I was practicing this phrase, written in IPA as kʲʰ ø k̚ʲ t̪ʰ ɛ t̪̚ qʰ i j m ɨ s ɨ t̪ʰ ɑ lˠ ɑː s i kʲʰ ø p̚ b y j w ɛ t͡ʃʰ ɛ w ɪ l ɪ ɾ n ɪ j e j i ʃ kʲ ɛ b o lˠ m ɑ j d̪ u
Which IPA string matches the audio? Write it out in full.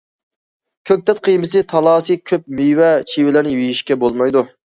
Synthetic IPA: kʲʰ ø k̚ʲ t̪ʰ ɛ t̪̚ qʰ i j m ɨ s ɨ t̪ʰ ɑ lˠ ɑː s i kʲʰ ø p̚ m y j w ɛ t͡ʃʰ i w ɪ l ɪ ɾ n ɪ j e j i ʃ kʲ ɛ b o lˠ m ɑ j d̪ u